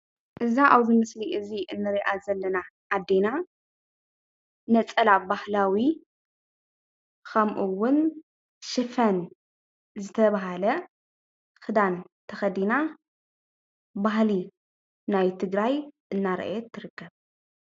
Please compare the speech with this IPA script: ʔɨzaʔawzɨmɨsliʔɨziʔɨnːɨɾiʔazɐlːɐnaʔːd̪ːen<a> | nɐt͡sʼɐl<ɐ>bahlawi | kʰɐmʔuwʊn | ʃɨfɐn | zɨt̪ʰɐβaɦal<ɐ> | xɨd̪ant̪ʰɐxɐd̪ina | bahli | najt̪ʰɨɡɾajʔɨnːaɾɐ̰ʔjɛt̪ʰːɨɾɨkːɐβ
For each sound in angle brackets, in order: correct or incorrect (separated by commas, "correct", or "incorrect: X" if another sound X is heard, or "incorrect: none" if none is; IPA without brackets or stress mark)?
correct, incorrect: a, correct